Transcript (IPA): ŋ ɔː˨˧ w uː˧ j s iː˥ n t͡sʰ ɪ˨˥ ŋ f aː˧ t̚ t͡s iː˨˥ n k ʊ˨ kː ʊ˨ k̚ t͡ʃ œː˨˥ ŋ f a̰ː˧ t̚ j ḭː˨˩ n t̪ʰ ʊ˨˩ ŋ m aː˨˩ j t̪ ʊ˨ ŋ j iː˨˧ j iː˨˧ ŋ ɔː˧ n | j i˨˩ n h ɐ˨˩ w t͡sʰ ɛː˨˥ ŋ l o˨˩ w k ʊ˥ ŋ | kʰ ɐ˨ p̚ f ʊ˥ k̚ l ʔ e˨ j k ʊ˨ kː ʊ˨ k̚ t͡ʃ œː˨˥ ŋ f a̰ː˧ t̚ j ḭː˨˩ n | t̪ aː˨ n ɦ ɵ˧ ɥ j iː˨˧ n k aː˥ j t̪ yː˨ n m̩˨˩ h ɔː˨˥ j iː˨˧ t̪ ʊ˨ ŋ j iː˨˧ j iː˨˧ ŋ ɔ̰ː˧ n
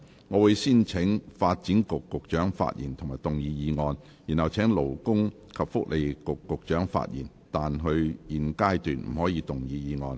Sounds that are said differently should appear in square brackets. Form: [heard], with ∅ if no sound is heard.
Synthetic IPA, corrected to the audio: ŋ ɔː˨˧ w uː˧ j s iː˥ n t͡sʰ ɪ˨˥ ŋ f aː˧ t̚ t͡s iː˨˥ n k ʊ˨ kː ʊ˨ k̚ t͡ʃ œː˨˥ ŋ f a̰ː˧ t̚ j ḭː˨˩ n t̪ʰ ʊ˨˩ ŋ m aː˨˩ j t̪ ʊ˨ ŋ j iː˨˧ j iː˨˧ ŋ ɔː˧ n | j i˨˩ n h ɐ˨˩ w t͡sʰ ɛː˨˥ ŋ l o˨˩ w k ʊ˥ ŋ | kʰ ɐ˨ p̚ f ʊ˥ k̚ l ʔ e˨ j k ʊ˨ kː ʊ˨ k̚ t͡ʃ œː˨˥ ŋ f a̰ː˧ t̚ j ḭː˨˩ n | t̪ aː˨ n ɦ ɵ˧ ɥ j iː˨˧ n k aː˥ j t̪ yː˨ n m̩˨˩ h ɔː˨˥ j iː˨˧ t̪ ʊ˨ ŋ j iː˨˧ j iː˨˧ ŋ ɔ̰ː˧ n